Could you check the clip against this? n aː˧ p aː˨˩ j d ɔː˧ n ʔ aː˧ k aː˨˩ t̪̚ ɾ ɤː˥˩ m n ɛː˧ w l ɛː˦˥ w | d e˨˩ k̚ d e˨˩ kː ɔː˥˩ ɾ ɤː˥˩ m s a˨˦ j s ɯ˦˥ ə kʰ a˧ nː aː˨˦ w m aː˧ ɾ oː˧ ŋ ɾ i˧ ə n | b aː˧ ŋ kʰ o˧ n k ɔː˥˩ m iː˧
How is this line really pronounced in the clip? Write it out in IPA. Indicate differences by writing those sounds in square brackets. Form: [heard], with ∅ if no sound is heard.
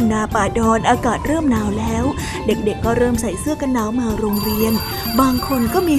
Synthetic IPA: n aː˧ p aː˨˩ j d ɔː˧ n ʔ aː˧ k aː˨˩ t̪̚ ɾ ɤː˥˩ m n [aː˧] w l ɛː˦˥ w | d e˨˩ k̚ d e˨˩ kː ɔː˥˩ ɾ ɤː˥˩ m s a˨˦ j s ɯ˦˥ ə [k] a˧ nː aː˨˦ w m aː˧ ɾ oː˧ ŋ ɾ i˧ ə n | b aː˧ ŋ kʰ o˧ n k ɔː˥˩ m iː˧